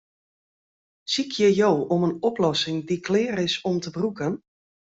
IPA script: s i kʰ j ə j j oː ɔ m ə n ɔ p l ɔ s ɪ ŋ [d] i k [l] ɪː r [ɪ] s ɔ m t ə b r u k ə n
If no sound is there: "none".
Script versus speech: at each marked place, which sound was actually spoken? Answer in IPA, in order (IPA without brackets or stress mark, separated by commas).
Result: d, l, ɪ